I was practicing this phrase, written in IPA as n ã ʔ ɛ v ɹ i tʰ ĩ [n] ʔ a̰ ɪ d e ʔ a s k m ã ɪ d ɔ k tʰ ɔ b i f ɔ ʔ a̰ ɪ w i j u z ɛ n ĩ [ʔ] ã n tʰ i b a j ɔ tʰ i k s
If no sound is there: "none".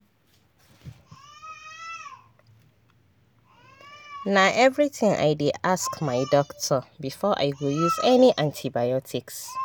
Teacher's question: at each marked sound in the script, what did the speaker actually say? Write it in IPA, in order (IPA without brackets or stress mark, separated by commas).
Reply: ŋ, ʔ